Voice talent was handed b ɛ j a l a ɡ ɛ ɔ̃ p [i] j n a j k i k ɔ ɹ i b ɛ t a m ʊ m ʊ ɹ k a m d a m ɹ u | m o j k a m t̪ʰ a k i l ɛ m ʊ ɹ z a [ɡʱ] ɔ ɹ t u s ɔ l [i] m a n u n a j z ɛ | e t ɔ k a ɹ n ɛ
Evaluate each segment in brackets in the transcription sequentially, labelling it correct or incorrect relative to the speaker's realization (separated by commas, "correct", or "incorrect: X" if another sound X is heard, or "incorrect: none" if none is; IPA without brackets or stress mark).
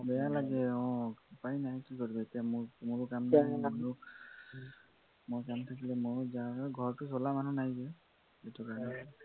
incorrect: a, correct, incorrect: a